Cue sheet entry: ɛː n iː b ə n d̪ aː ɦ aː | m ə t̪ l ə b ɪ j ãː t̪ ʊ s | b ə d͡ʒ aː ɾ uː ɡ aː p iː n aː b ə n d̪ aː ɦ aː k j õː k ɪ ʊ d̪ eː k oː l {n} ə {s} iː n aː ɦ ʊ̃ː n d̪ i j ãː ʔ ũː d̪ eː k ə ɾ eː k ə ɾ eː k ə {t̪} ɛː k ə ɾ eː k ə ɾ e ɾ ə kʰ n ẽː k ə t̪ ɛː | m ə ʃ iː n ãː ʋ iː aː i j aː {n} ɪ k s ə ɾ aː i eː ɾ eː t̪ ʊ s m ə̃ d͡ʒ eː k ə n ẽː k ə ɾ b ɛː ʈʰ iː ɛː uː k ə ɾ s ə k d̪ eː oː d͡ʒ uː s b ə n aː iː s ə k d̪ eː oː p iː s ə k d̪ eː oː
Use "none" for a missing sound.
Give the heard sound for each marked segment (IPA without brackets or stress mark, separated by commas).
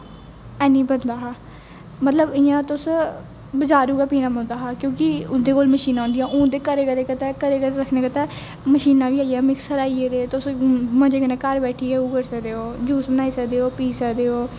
m, ʃ, t̪, m